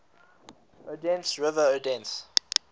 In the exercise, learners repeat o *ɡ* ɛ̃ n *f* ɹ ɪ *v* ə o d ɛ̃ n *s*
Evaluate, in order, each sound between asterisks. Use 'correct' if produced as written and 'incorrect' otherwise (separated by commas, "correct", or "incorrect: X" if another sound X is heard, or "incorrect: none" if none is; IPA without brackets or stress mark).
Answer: incorrect: d, incorrect: s, correct, correct